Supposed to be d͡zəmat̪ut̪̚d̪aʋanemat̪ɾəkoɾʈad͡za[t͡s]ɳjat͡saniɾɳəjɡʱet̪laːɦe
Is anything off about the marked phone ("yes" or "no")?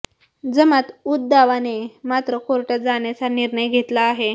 yes